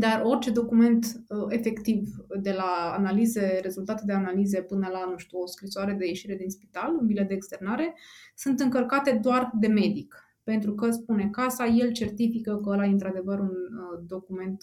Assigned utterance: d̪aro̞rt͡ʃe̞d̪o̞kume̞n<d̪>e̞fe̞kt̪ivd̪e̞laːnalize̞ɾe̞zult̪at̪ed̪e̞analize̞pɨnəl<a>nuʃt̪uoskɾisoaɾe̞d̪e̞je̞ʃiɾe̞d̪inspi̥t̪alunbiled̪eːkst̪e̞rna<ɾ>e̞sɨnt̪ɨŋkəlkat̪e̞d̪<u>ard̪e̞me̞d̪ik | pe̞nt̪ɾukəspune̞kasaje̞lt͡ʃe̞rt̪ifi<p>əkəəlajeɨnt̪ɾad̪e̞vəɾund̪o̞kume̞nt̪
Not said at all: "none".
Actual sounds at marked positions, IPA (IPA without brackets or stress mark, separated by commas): t̪, a, ɾ, o, k